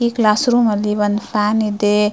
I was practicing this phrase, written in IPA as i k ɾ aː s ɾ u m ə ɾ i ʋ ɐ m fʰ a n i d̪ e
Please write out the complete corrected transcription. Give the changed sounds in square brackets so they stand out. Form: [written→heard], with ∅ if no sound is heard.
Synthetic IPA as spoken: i k [ɾ→l] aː s ɾ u m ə [ɾ→l] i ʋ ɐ [m→n] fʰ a n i d̪ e